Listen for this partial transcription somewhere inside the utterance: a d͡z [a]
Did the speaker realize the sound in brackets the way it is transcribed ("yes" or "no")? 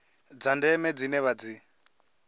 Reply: no